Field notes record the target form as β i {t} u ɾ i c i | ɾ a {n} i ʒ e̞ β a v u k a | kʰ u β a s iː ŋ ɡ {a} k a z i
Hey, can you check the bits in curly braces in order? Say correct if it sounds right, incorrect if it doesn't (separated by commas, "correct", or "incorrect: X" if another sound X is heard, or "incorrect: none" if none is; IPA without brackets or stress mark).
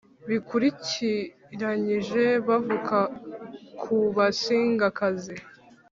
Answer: incorrect: k, incorrect: ɲ, correct